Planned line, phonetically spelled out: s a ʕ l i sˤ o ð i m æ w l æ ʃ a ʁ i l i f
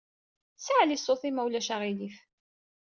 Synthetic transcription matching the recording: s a ʕ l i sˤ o θ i m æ w l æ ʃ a ʁ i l i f